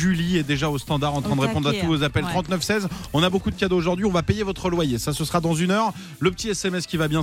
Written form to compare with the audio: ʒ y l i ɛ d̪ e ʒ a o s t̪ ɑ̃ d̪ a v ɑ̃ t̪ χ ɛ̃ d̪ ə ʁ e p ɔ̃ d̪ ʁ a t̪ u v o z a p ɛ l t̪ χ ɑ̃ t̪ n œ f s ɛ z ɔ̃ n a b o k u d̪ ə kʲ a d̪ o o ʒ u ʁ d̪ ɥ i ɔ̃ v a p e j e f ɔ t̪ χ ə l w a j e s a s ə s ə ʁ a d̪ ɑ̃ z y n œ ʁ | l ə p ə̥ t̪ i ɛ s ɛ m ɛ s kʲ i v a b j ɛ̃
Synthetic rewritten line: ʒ y l i ɛ d̪ e ʒ a o s t̪ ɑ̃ d̪ a ʁ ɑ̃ t̪ χ ɛ̃ d̪ ə ʁ e p ɔ̃ d̪ ʁ a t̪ u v o z a p ɛ l t̪ χ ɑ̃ t̪ n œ f s ɛ z ɔ̃ n a b o k u d̪ ə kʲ a d̪ o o ʒ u ʁ d̪ ɥ i ɔ̃ v a p e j e v ɔ t̪ χ ə l w a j e s a s ə s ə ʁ a d̪ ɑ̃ z y n œ ʁ | l ə p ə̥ t̪ i ɛ s ɛ m ɛ s kʲ i v a b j ɛ̃